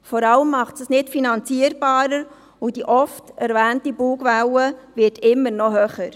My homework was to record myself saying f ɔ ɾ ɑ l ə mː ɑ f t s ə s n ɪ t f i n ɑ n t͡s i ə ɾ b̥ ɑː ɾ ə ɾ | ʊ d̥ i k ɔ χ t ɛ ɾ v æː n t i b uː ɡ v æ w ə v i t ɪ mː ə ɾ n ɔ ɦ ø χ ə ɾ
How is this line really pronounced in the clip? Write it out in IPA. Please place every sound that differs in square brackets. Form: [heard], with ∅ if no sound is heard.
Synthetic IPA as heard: f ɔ ɾ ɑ l ə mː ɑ [χ] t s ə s n ɪ t f i n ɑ n t͡s i ə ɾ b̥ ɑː ɾ ə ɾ | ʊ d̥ i [ʔ] ɔ [f] t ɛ ɾ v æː n t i b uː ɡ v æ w ə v [ɪ] t ɪ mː ə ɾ n ɔ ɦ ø χ ə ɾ